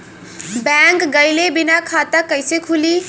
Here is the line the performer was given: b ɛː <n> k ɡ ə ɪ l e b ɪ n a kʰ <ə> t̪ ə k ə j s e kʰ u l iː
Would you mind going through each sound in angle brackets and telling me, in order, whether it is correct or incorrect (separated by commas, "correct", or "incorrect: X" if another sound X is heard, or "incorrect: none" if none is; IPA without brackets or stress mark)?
incorrect: ŋ, incorrect: a